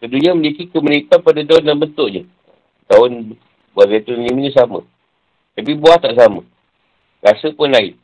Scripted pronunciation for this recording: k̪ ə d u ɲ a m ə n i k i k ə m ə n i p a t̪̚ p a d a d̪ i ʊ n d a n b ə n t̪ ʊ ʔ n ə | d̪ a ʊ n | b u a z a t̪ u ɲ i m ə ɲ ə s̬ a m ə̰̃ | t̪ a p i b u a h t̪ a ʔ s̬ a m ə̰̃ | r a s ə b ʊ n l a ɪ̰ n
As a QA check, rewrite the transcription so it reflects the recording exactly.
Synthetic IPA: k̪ ə d u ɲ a m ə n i k i k ə m ə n i p a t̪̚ p a d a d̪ a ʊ n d a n b ə n t̪ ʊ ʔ ɲ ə | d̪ a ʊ n | b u a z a t̪ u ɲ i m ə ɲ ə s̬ a m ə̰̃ | t̪ a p i b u a h t̪ a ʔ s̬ a m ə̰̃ | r a s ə p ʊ n l a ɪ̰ n